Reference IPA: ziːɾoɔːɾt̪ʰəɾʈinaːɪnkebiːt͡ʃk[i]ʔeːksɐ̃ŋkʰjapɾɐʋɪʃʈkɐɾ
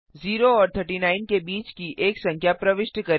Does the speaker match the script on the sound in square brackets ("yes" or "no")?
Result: yes